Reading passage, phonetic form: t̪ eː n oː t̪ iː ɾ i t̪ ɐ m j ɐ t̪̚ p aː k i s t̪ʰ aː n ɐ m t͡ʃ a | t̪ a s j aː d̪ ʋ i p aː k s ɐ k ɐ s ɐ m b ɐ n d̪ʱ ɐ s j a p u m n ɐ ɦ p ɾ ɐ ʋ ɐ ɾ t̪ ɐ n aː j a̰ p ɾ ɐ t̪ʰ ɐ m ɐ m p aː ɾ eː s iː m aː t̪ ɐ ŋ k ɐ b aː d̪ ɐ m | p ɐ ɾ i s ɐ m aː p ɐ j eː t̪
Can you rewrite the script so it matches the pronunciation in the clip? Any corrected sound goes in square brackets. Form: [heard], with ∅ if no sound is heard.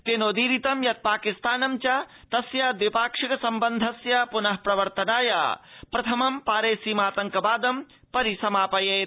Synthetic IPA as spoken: t̪ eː n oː [d̪] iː ɾ i t̪ ɐ m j ɐ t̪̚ p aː k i s [t̪] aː n ɐ m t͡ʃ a | t̪ [ɐ] s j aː d̪ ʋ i p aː k [ʂ] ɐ k ɐ s ɐ m b ɐ n d̪ʱ ɐ s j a p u [∅] n ɐ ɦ p ɾ ɐ ʋ ɐ ɾ t̪ ɐ n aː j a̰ p ɾ ɐ t̪ʰ ɐ m ɐ m p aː ɾ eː s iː m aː t̪ ɐ ŋ k ɐ b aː d̪ ɐ m | p ɐ ɾ i s ɐ m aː p ɐ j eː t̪

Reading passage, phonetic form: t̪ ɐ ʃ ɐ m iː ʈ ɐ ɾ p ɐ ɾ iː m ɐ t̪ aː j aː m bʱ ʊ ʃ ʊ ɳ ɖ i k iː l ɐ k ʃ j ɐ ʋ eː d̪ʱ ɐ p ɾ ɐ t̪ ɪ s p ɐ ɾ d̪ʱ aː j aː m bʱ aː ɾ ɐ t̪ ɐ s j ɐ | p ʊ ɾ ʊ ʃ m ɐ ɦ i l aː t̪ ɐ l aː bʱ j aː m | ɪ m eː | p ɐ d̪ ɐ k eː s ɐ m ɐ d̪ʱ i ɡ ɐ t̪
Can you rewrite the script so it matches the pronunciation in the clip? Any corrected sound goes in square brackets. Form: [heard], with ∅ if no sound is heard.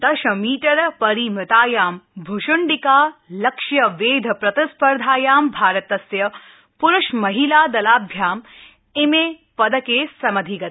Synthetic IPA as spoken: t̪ ɐ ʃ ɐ m iː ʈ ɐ ɾ p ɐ ɾ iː m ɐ t̪ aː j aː m bʱ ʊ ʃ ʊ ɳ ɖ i k [aː] l ɐ k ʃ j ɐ ʋ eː d̪ʱ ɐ p ɾ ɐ t̪ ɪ s p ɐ ɾ d̪ʱ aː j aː m bʱ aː ɾ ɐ t̪ ɐ s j ɐ | p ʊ ɾ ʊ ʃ m ɐ ɦ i l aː [d̪] ɐ l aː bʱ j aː m | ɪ m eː | p ɐ d̪ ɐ k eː s ɐ m ɐ d̪ʱ i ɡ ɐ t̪

